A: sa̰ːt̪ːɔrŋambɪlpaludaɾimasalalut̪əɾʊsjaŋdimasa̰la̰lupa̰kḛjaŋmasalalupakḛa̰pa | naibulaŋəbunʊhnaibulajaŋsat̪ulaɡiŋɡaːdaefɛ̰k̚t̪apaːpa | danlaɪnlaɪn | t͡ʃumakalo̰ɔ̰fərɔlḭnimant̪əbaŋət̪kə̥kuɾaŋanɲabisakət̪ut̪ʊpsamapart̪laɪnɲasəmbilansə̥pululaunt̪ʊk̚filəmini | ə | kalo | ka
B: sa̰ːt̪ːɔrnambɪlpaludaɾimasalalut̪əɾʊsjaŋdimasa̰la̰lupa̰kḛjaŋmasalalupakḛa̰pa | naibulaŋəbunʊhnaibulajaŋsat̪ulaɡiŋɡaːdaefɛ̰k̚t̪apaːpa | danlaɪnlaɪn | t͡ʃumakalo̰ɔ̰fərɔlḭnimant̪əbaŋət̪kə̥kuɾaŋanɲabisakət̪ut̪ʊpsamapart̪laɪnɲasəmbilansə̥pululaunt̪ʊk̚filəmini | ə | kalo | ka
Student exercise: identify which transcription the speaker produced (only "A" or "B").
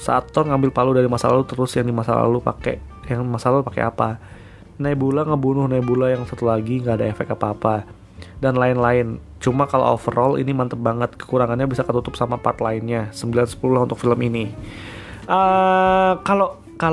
A